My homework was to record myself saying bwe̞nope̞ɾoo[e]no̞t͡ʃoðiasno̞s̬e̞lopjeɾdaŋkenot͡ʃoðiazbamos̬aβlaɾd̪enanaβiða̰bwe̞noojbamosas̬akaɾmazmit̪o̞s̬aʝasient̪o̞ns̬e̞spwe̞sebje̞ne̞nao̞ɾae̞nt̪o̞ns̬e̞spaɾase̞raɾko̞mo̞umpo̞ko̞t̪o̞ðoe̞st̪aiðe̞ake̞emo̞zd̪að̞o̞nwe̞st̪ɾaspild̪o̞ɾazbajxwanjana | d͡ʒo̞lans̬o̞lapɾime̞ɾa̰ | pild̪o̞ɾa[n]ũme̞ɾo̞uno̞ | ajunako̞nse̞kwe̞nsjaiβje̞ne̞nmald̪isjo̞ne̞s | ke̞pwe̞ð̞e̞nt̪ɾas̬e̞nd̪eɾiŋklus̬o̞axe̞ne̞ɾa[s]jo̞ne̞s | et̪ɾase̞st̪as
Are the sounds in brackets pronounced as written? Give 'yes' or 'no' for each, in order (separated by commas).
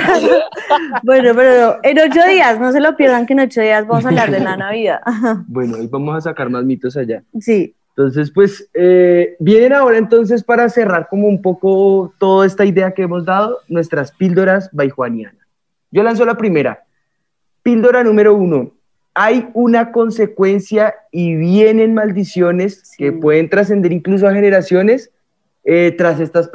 yes, yes, yes